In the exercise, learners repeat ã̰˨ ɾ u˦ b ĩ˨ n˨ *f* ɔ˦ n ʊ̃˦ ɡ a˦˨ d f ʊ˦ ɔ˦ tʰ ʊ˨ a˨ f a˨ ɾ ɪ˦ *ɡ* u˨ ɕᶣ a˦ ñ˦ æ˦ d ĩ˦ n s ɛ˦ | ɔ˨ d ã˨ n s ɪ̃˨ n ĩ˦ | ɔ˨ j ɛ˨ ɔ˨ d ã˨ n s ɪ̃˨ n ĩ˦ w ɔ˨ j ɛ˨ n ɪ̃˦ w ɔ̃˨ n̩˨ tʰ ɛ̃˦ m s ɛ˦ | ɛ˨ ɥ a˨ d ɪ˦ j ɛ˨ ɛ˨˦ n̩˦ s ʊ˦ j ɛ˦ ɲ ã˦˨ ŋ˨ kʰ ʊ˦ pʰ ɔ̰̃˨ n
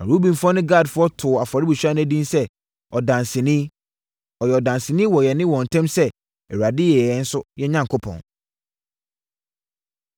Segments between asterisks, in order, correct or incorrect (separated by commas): correct, incorrect